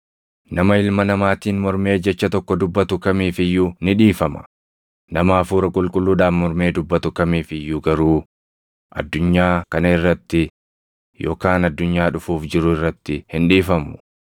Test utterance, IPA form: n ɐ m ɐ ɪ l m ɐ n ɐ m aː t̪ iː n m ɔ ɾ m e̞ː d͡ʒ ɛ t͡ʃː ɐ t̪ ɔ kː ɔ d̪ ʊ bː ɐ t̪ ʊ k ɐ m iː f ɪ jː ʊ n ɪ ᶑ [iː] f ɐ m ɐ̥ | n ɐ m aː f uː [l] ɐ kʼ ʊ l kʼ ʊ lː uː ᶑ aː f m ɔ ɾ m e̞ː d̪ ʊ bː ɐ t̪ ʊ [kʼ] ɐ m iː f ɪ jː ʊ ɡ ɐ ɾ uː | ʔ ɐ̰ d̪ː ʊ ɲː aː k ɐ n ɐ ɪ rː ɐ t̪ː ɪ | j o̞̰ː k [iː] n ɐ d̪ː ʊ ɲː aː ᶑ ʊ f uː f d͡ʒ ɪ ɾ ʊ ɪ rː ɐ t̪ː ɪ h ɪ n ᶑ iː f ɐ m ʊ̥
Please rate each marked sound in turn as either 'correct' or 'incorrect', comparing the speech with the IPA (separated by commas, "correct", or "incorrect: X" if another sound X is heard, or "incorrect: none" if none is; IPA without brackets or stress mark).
correct, incorrect: ɾ, incorrect: k, incorrect: aː